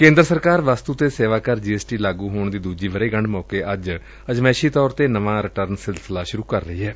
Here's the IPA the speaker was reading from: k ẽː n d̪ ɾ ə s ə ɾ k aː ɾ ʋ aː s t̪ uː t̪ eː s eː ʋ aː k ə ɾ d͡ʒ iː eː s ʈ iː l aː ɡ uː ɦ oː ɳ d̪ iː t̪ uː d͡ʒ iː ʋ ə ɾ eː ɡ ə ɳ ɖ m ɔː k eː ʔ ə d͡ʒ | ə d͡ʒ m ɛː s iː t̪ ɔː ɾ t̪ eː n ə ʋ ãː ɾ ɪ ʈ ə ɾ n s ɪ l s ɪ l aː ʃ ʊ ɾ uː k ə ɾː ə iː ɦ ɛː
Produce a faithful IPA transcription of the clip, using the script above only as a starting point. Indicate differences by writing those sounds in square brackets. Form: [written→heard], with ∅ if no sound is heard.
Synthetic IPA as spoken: k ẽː n d̪ ɾ ə s ə ɾ k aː ɾ ʋ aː s t̪ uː t̪ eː s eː ʋ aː k ə ɾ d͡ʒ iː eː s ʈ iː l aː ɡ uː ɦ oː ɳ d̪ iː [t̪→d̪] uː d͡ʒ iː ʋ ə ɾ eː ɡ ə ɳ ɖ m ɔː k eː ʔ ə d͡ʒ | ə d͡ʒ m ɛː [s→ʃ] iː t̪ ɔː ɾ t̪ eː n ə ʋ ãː ɾ ɪ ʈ ə ɾ n s ɪ l s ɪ l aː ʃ ʊ ɾ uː k ə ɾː ə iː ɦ ɛː

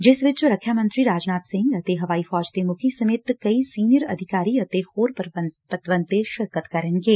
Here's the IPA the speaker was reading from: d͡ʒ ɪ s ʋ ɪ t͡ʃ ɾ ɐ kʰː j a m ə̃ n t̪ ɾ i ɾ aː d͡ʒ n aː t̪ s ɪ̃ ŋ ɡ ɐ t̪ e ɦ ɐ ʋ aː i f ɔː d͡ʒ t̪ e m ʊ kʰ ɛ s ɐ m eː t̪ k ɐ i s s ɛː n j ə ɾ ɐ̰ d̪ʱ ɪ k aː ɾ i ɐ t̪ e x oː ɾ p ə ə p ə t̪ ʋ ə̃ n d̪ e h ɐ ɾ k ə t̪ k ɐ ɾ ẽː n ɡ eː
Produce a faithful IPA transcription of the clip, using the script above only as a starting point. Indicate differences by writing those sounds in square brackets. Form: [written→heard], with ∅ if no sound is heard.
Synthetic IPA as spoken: d͡ʒ ɪ s ʋ ɪ t͡ʃ ɾ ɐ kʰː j a m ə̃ n t̪ ɾ i ɾ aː d͡ʒ n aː t̪ s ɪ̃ ŋ ɡ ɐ t̪ e ɦ ɐ ʋ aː i f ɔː d͡ʒ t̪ e m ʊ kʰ [ɛ→i] s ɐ m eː t̪ k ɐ i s s [ɛː→iː] n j ə ɾ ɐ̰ d̪ʱ ɪ k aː ɾ i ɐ t̪ e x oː ɾ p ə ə p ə t̪ ʋ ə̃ n [d̪→t̪] e [h→ʃ] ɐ ɾ k ə t̪ k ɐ ɾ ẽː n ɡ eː

